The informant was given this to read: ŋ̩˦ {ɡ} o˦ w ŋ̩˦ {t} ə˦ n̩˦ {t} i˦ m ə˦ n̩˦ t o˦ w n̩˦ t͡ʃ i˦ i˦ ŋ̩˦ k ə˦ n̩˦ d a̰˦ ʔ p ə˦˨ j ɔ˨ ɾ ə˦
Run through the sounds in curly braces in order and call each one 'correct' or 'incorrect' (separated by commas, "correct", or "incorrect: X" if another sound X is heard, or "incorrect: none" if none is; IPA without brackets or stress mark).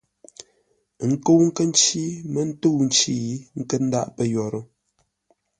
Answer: incorrect: k, incorrect: k, incorrect: t͡ʃ